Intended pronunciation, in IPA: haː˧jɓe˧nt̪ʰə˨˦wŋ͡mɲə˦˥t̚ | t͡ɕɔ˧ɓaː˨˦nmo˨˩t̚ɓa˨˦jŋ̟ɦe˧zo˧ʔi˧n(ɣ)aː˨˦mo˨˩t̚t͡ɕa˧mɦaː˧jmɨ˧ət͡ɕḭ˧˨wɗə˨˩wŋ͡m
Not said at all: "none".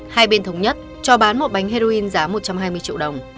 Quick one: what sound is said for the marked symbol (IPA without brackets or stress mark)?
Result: z